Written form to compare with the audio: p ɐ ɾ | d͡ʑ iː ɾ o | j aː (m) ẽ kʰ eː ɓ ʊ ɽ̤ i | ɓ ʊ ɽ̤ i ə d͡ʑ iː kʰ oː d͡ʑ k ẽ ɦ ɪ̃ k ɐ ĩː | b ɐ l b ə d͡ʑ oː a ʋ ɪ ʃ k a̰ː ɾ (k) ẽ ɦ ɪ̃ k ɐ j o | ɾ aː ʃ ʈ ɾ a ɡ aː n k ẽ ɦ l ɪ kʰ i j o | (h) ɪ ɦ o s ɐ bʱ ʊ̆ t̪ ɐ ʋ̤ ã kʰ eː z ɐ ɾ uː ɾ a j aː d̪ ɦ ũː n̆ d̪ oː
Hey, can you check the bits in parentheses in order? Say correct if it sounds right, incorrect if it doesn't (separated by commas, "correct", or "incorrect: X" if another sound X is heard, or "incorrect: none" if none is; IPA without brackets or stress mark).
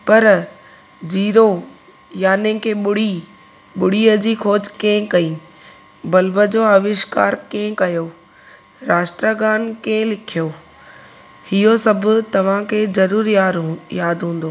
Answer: incorrect: n, correct, correct